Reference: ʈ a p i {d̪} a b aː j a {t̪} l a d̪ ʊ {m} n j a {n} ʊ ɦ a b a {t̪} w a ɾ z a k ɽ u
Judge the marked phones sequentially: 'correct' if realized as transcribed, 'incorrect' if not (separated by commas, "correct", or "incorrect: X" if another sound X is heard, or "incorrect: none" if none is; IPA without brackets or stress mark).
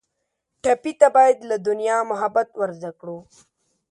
incorrect: t̪, incorrect: d̪, incorrect: none, incorrect: m, correct